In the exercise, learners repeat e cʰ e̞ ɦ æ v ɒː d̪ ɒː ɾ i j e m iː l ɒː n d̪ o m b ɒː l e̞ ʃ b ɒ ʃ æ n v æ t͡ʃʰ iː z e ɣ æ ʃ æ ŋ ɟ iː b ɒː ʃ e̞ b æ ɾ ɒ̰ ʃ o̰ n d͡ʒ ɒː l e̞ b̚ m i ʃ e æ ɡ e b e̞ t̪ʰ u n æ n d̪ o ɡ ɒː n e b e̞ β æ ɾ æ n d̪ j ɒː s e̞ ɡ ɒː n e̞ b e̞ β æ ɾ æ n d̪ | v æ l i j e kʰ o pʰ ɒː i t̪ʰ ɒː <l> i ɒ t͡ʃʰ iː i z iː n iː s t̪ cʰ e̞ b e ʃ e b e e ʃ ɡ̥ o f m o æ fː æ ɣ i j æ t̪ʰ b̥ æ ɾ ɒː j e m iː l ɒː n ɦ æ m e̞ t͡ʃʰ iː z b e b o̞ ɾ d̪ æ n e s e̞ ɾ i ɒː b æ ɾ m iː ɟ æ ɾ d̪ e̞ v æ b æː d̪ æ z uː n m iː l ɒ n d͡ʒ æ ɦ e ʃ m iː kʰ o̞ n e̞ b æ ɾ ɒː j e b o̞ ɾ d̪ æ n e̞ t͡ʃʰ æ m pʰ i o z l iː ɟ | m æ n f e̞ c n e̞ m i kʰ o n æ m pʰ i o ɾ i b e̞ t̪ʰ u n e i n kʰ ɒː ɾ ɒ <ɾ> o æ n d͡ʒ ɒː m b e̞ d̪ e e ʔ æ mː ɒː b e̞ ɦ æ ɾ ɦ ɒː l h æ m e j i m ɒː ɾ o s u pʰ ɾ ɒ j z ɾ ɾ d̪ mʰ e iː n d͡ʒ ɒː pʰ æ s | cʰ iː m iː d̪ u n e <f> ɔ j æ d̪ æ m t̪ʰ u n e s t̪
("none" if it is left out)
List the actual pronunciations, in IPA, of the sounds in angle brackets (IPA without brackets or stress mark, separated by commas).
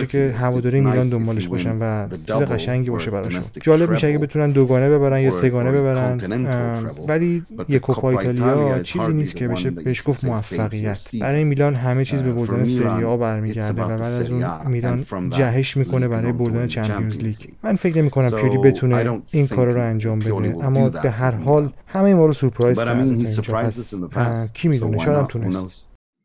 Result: l, ɾ, ʃ